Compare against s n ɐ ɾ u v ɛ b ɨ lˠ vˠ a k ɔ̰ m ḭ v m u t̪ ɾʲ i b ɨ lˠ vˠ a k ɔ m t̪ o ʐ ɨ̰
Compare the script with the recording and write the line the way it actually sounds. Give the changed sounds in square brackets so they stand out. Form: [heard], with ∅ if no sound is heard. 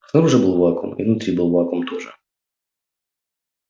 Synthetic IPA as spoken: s n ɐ ɾ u [ʐ] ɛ b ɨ lˠ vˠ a k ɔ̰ m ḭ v [n] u t̪ ɾʲ i b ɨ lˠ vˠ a k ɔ m t̪ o ʐ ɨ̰